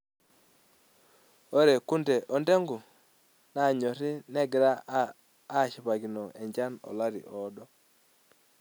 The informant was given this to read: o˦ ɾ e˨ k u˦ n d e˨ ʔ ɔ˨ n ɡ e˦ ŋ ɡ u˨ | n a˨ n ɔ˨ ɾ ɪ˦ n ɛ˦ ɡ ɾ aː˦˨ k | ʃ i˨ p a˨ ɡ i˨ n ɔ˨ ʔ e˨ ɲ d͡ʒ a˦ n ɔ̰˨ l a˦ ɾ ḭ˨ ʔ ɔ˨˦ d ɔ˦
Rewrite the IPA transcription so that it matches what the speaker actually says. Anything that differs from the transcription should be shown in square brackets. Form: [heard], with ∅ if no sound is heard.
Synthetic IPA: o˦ ɾ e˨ k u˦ n d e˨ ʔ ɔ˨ n [d] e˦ ŋ ɡ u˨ | n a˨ [ɲ] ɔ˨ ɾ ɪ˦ n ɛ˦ ɡ ɾ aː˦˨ [∅] | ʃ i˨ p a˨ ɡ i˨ n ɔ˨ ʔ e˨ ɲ d͡ʒ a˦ n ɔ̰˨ l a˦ ɾ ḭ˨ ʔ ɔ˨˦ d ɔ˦